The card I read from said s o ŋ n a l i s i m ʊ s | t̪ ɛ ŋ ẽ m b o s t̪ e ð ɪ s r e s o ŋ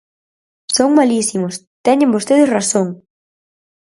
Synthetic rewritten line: s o ŋ m a l i s i m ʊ s | t̪ ɛ ɲ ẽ m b o s t̪ e ð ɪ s r a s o ŋ